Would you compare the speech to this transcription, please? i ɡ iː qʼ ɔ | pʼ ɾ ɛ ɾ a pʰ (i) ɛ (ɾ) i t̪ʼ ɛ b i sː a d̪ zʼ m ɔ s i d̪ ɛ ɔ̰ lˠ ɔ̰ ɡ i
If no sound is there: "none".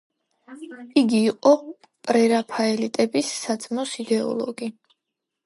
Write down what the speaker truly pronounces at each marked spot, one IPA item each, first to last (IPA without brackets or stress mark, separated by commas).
a, l